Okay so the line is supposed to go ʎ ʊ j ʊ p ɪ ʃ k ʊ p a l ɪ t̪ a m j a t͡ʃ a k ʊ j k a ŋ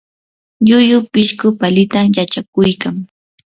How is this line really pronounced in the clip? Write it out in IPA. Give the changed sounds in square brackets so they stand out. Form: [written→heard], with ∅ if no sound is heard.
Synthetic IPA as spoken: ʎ ʊ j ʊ p ɪ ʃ k ʊ p a l ɪ t̪ a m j a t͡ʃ a k ʊ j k a ŋ